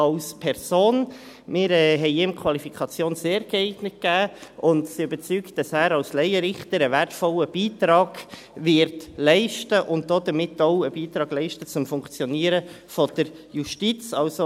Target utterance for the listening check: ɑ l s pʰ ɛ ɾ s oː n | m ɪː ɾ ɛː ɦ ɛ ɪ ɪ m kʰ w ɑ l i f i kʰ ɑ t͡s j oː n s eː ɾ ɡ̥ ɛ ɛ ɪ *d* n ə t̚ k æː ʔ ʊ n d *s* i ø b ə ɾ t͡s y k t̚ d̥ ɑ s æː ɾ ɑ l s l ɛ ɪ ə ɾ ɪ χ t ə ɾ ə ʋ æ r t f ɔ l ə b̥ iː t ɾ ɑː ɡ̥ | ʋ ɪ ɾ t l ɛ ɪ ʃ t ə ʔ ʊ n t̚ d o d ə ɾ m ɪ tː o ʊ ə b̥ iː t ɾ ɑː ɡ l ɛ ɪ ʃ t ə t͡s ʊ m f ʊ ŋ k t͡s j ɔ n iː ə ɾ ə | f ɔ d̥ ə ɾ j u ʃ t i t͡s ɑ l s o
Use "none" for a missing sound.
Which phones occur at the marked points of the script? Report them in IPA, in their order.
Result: ɡ, s

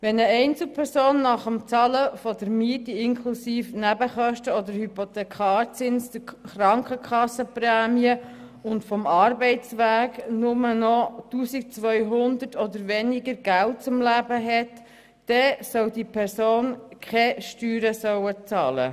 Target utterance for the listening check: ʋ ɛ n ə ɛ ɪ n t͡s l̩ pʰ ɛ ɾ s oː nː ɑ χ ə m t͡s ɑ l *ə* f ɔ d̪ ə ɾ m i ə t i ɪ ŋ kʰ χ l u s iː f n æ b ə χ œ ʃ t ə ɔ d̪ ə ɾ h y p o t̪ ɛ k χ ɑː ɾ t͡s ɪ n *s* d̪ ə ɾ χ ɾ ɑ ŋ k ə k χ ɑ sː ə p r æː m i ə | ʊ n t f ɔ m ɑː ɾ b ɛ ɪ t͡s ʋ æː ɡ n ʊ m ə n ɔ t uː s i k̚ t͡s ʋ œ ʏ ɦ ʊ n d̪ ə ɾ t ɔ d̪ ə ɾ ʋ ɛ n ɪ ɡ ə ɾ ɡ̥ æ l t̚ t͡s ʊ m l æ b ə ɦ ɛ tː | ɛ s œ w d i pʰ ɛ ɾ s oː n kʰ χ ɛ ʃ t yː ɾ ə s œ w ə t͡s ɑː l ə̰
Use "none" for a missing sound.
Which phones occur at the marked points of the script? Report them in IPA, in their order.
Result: ə, s

